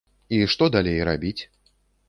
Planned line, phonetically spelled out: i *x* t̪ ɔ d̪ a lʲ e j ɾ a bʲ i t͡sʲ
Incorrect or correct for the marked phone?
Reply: incorrect: ʂ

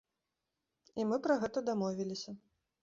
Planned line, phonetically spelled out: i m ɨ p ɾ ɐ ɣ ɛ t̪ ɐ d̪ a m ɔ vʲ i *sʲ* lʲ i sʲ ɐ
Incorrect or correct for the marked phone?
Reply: incorrect: none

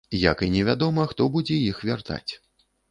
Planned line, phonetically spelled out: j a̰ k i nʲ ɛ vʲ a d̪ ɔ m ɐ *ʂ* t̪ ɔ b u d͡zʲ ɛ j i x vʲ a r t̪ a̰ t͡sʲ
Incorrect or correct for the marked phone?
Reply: incorrect: x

